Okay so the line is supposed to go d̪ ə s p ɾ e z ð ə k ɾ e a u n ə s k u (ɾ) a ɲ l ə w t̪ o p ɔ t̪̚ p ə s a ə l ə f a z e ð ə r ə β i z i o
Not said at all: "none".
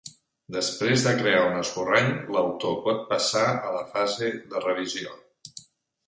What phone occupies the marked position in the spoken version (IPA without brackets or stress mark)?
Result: r